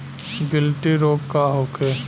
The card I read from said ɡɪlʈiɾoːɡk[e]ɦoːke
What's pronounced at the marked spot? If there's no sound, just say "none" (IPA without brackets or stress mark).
a